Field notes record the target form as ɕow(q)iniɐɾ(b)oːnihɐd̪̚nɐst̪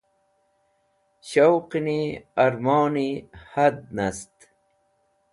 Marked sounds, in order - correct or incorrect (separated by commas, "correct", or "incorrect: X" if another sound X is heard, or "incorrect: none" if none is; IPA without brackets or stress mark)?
correct, incorrect: m